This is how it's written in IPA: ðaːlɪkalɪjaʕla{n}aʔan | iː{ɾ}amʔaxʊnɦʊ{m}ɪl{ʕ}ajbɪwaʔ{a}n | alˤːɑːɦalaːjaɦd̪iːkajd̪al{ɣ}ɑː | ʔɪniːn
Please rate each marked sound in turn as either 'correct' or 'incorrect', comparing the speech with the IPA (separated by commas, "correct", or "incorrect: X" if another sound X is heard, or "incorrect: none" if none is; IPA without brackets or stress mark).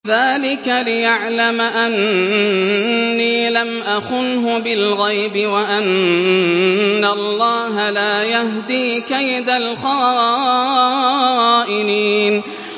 incorrect: m, incorrect: l, incorrect: b, incorrect: ɣ, correct, incorrect: x